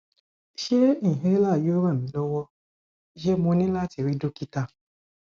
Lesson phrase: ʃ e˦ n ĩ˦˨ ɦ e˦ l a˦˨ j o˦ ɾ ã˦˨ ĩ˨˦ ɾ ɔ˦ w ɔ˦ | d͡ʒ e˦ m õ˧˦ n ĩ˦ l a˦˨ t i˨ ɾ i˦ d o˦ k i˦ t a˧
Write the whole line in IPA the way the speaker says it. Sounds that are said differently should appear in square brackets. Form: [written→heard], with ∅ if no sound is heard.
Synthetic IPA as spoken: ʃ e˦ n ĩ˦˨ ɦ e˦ l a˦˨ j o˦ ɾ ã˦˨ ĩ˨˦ [ɾ→l] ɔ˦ w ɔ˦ | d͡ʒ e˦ m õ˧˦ n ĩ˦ l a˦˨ t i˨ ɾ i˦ d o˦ k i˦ t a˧